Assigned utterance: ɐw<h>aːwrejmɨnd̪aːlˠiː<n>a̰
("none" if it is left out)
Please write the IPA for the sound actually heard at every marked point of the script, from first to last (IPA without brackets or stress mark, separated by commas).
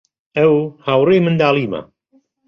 h, m